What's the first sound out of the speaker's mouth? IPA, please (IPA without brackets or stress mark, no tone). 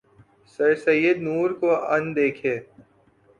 s